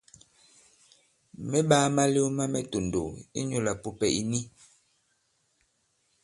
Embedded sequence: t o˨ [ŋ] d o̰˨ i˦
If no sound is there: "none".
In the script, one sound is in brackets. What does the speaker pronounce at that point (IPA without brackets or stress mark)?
n